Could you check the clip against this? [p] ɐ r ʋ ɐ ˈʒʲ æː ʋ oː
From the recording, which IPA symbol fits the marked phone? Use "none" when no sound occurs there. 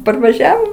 p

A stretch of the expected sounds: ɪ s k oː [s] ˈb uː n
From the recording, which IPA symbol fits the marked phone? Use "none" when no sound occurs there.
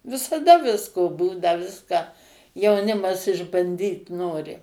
none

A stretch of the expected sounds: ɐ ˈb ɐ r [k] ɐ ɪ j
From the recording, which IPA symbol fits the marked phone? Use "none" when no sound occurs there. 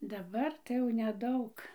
t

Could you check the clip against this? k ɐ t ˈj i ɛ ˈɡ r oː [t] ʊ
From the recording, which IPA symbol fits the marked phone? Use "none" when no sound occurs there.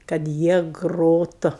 t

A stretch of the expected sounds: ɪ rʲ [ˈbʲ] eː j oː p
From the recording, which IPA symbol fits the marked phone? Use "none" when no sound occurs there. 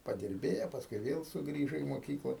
bʲ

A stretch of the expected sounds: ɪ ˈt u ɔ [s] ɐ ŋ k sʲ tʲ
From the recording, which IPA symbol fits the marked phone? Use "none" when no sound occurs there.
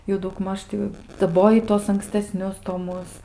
s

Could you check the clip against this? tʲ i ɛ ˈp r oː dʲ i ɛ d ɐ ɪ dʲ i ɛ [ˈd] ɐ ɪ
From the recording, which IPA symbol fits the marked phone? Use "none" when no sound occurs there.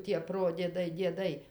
d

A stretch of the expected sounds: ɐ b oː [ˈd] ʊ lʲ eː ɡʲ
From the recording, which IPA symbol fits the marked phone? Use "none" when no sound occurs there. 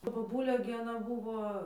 b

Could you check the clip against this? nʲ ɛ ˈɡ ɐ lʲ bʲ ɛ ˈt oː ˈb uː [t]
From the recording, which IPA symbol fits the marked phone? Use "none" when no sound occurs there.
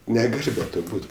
t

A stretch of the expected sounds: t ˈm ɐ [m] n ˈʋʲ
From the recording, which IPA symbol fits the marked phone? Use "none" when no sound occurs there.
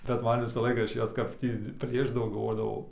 none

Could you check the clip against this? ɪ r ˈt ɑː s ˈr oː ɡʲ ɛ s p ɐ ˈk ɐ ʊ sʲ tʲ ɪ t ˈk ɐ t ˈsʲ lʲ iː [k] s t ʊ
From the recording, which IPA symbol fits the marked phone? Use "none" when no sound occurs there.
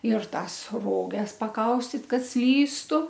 none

